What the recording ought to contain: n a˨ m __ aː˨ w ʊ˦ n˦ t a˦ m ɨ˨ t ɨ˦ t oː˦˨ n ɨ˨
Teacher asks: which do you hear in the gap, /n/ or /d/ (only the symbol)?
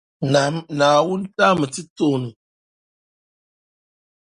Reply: n